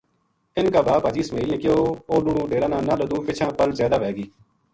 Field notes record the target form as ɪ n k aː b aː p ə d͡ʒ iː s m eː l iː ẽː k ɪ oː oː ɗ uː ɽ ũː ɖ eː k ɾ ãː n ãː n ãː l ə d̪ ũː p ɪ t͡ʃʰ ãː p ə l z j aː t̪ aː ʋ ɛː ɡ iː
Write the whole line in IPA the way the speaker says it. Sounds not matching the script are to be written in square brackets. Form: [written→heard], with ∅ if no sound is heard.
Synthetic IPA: ɪ n k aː b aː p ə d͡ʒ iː s m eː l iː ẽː k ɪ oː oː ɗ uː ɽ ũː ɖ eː [k→∅] ɾ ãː n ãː n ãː l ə d̪ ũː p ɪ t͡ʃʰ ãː p ə l z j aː [t̪→d̪] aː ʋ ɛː ɡ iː